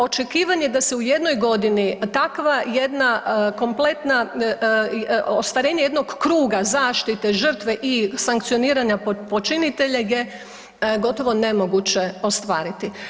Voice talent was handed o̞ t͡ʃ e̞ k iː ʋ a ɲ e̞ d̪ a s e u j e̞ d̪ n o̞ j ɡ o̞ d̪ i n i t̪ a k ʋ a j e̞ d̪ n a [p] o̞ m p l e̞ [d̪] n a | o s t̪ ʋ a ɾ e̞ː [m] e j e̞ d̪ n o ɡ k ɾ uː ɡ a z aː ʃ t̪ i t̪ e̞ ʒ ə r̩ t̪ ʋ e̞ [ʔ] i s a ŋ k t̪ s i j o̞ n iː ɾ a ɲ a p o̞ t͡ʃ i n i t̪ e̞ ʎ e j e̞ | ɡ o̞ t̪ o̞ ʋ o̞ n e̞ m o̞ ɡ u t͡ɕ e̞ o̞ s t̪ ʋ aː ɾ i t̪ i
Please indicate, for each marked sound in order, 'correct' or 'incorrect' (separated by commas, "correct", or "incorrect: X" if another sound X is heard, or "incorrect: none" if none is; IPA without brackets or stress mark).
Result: incorrect: k, incorrect: t̪, incorrect: ɲ, correct